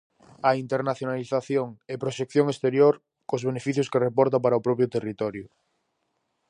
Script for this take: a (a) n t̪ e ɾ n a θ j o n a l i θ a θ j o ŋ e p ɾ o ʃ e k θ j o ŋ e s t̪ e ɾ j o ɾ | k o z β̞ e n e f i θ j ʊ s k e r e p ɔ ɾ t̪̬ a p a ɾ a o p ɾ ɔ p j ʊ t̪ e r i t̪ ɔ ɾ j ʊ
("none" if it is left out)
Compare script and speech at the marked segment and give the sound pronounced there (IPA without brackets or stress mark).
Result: i